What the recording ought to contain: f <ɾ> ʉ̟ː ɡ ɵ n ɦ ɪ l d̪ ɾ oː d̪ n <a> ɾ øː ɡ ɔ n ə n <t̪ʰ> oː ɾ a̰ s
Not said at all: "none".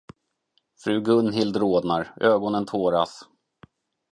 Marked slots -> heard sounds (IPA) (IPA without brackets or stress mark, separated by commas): ɾ, a, t̪ʰ